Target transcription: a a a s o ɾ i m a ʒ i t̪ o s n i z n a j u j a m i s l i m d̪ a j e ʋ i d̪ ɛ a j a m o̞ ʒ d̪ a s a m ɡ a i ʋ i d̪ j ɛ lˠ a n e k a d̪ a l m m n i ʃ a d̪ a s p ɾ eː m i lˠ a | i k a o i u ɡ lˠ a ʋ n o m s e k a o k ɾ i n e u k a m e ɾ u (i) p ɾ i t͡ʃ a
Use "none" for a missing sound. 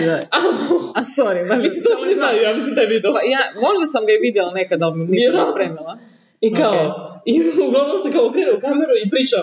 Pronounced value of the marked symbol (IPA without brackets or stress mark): i